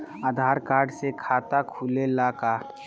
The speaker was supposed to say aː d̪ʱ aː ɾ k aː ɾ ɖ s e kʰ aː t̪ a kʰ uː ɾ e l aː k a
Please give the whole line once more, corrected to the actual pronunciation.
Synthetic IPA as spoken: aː d̪ʱ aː ɾ k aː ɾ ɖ s e kʰ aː t̪ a kʰ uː l e l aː k a